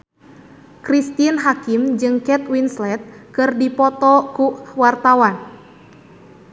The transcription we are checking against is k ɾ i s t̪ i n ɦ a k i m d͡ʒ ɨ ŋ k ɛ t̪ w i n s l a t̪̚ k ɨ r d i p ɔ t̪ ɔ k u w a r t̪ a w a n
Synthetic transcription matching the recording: k ɾ i s t̪ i n ɦ a k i m d͡ʒ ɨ ŋ k ɛ t̪ w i n s l ɛ t̪̚ k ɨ r d i p ɔ t̪ ɔ k u w a r t̪ a w a n